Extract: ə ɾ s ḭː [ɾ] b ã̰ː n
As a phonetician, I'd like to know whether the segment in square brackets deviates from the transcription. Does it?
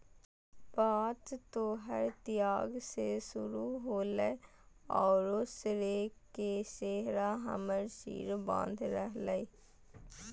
no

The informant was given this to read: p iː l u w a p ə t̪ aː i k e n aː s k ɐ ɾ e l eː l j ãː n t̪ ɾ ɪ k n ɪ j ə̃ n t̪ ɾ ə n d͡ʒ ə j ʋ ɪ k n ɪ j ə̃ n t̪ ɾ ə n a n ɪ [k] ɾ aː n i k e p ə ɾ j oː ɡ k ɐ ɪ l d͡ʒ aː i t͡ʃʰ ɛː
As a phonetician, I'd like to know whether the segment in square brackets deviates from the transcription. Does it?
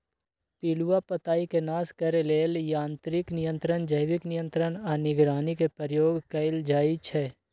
yes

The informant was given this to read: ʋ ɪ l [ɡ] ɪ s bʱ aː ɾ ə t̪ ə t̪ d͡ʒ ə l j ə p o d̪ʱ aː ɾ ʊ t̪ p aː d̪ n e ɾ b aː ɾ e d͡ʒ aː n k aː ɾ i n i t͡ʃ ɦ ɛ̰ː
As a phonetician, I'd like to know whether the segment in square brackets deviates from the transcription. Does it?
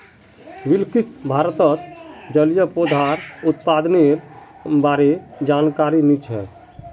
yes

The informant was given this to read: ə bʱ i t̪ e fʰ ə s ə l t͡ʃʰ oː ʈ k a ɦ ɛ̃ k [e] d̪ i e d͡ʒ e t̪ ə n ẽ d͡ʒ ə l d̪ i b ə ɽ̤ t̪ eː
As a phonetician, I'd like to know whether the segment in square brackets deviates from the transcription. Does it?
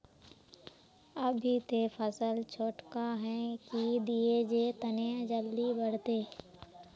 yes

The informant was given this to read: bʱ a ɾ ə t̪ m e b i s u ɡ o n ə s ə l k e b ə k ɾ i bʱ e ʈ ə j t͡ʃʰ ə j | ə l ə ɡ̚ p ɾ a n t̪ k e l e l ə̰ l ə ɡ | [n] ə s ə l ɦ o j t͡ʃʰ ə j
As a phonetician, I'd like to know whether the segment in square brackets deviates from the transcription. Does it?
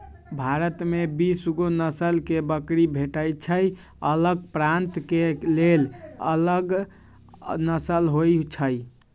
no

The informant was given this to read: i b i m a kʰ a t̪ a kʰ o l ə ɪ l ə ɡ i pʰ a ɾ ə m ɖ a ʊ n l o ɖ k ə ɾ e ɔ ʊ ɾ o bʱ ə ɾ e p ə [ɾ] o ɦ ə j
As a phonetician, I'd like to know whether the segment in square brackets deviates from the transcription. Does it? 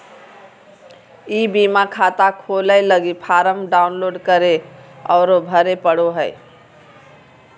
yes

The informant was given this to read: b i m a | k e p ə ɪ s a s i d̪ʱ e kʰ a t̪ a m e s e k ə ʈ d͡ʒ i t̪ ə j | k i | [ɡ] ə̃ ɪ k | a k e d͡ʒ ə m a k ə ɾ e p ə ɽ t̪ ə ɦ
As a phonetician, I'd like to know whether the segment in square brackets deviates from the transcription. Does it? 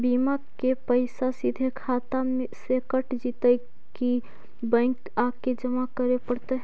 yes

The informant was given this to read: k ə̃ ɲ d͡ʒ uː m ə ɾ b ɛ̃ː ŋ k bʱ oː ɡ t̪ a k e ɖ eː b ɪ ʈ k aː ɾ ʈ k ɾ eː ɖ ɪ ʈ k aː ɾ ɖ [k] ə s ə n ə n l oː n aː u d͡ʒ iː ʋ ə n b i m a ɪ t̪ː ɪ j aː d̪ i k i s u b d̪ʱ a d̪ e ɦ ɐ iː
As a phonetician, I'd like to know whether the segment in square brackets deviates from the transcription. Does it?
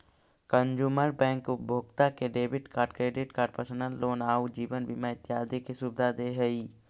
yes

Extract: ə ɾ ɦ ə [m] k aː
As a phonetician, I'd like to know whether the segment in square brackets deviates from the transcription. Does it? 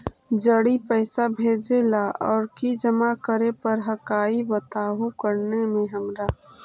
yes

